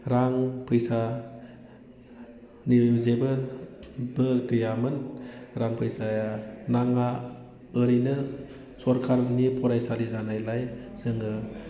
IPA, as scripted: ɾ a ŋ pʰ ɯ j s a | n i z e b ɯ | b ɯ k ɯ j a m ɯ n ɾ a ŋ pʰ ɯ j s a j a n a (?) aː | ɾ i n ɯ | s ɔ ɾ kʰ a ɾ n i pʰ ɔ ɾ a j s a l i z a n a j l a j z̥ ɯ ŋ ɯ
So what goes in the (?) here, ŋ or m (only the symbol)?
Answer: ŋ